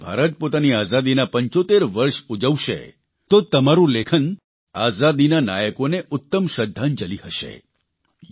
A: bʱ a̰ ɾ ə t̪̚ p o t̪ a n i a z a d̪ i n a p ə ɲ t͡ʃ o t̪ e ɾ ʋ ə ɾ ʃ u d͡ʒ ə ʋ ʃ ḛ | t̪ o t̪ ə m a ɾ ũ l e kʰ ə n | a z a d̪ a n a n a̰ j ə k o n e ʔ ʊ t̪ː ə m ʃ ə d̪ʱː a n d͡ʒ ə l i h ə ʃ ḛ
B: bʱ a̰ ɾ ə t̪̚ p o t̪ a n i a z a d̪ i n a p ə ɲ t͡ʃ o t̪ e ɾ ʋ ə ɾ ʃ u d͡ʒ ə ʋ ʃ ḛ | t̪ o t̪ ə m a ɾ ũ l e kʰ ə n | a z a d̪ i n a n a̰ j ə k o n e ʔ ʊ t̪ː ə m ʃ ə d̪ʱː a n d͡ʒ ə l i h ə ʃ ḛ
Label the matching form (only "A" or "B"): B